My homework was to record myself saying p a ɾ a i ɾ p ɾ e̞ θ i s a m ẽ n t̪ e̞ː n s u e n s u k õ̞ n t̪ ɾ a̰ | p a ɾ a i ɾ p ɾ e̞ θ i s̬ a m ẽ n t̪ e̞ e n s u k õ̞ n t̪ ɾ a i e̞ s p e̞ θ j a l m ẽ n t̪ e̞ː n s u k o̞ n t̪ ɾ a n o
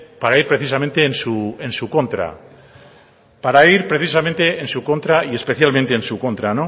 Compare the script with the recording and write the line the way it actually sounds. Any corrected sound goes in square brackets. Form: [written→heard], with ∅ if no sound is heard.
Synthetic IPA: p a ɾ a i ɾ p ɾ e̞ θ i s a m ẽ n t̪ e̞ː n s u e n s u k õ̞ n t̪ ɾ a̰ | p a ɾ a i ɾ p ɾ e̞ θ i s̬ a m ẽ n t̪ e̞ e n s u k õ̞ n t̪ ɾ a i e̞ s p e̞ θ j a l m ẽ n t̪ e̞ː n s u k o̞ n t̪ ɾ a n o